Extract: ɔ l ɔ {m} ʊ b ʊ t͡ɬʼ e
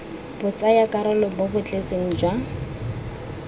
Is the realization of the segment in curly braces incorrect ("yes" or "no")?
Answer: yes